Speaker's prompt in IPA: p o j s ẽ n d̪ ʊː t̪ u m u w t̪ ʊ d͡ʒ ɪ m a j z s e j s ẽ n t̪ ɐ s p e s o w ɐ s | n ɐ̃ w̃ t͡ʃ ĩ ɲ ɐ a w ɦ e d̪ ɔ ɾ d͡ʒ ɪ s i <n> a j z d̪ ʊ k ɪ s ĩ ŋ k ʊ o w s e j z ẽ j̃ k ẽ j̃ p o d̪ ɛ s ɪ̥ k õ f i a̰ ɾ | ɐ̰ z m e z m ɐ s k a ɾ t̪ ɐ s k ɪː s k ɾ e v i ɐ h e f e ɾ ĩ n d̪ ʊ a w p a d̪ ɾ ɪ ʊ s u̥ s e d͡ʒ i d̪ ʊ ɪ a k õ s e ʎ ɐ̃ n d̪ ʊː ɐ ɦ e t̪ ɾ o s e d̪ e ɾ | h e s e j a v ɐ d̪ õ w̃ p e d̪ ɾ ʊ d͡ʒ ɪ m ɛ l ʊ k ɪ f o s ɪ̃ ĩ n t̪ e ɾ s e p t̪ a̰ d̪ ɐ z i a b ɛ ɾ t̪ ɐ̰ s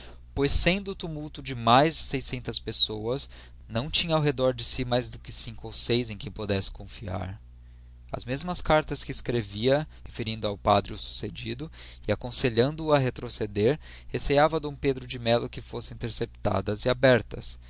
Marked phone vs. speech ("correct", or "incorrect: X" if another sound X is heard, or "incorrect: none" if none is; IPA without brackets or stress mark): incorrect: m